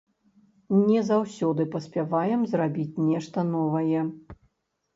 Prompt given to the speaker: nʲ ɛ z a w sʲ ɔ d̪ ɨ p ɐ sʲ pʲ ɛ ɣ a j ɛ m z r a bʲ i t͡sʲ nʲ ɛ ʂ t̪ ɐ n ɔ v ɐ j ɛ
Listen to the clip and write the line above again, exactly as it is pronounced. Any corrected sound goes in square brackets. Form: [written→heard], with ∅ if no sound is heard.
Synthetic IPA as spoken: nʲ ɛ z a w sʲ ɔ d̪ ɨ p ɐ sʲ pʲ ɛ [ɣ→v] a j ɛ m z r a bʲ i t͡sʲ nʲ ɛ ʂ t̪ ɐ n ɔ v ɐ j ɛ